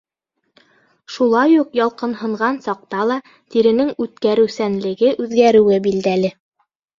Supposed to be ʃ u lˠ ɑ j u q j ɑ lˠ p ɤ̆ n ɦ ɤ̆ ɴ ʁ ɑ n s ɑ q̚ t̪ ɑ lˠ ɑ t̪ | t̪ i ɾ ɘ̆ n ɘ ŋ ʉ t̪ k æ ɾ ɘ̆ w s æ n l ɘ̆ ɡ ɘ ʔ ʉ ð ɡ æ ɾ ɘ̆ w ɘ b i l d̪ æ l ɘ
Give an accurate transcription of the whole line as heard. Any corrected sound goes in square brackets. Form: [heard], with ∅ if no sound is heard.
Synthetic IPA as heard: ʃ u lˠ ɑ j u q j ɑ lˠ [q] ɤ̆ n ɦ ɤ̆ ɴ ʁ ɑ n s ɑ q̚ t̪ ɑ lˠ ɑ [∅] | t̪ i ɾ ɘ̆ n ɘ ŋ ʉ t̪ k æ ɾ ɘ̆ w s æ n l ɘ̆ ɡ ɘ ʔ ʉ ð ɡ æ ɾ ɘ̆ w ɘ b i l d̪ æ l ɘ